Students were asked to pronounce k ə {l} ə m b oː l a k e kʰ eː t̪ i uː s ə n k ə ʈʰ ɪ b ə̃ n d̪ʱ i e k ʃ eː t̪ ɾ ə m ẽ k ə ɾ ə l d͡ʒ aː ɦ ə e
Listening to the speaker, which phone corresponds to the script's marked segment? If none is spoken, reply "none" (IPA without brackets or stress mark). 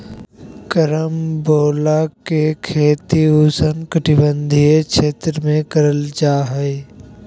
ɾ